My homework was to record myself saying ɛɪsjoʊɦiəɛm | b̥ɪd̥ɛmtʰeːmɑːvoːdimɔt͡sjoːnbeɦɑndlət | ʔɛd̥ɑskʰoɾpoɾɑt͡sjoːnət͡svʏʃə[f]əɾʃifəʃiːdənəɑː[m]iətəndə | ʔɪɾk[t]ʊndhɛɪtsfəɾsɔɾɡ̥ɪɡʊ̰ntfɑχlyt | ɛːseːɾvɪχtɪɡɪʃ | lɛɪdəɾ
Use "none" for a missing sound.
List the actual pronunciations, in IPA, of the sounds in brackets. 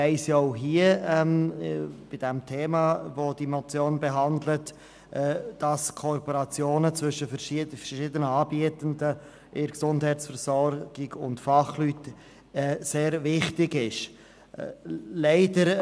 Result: f, b, s

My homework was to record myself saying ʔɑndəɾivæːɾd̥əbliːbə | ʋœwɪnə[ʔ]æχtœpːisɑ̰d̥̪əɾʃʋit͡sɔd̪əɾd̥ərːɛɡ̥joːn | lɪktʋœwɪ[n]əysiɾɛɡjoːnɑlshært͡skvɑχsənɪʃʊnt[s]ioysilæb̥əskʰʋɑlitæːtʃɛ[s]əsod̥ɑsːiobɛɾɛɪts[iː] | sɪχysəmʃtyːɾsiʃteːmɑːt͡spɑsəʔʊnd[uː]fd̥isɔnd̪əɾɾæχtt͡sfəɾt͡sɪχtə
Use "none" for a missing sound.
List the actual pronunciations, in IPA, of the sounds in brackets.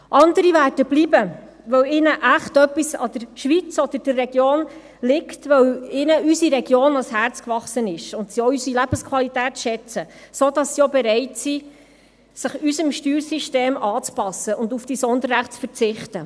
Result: ʔ, n, s, t͡s, i, u

